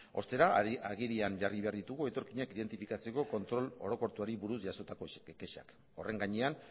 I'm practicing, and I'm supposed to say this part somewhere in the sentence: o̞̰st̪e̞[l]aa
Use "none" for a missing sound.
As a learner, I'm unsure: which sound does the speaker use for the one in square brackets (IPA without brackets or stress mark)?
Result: ɾ